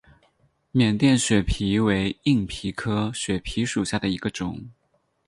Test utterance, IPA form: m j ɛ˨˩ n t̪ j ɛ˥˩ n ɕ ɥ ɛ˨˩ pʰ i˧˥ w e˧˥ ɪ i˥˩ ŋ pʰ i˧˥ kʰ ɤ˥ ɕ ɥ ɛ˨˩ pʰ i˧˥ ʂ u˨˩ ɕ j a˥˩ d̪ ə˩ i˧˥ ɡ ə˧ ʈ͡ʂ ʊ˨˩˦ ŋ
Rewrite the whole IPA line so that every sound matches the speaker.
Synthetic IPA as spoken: m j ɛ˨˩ n t̪ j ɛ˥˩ n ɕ ɥ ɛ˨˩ pʰ i˧˥ w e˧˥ ɪ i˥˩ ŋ pʰ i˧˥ kʰ ɤ˥ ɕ ɥ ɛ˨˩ pʰ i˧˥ ʂ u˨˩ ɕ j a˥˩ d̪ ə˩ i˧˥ ɡ ə˧ ʈ͡ʂ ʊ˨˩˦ ŋ